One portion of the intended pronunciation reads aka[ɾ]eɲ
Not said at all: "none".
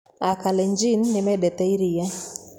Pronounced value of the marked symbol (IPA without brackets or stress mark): l